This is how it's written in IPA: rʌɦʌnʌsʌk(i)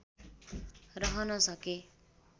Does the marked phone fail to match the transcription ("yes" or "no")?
yes